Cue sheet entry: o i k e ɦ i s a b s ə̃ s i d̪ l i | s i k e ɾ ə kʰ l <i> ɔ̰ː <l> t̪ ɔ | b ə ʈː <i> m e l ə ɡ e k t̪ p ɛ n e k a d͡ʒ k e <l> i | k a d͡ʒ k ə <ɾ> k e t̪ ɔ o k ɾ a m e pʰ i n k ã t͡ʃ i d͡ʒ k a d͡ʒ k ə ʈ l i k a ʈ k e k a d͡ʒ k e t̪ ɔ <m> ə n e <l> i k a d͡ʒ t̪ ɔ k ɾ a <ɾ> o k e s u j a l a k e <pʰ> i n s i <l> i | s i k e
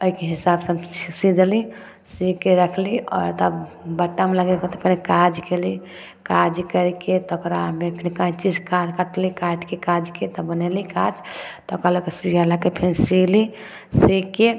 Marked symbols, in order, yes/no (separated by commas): yes, no, no, yes, yes, no, yes, no, yes, yes